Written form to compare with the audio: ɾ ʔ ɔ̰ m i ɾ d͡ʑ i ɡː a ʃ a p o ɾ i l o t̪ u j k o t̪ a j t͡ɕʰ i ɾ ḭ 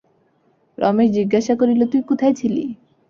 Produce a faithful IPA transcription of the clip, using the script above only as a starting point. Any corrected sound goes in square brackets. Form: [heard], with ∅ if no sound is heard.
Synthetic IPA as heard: ɾ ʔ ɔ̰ m [e] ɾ d͡ʑ i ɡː a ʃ a [k] o ɾ i l o t̪ u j k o [t̪ʰ] a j t͡ɕʰ i [l] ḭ